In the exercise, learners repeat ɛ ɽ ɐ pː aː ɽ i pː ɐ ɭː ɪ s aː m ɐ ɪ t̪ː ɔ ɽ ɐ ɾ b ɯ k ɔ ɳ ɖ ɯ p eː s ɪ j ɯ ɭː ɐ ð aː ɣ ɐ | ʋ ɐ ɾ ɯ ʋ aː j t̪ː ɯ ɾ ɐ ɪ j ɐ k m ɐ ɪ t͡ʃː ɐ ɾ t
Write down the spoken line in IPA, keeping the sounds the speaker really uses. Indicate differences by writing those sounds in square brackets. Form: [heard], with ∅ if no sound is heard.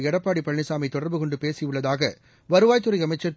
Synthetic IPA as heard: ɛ ɽ ɐ pː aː ɽ i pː ɐ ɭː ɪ s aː m ɐ ɪ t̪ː ɔ ɽ ɐ ɾ b ɯ k ɔ ɳ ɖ ɯ p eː s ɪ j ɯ ɭː ɐ ð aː ɣ ɐ | ʋ ɐ ɾ ɯ ʋ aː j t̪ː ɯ ɾ ɐ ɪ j ɐ [∅] m ɐ ɪ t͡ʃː ɐ ɾ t